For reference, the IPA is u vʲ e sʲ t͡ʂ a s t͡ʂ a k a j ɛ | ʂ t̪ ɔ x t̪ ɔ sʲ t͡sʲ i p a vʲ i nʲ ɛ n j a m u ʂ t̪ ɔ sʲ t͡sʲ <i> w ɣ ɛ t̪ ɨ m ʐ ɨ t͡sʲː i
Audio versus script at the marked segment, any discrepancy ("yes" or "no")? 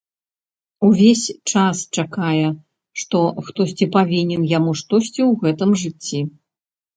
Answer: no